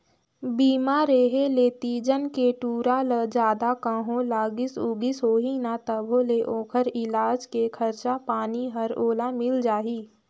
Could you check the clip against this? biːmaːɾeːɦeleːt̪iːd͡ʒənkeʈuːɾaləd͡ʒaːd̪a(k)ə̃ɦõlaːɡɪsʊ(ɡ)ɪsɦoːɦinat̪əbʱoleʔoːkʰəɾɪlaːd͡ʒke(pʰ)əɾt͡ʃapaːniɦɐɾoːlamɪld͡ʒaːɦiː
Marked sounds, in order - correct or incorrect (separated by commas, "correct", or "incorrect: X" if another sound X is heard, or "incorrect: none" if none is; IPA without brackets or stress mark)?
correct, correct, incorrect: kʰ